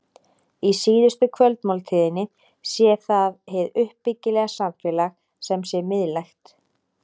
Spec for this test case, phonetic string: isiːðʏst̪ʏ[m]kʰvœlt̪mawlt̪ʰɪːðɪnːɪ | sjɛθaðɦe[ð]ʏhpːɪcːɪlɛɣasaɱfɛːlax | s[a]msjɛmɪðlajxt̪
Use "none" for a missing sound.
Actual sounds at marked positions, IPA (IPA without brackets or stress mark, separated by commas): none, ð, ɛ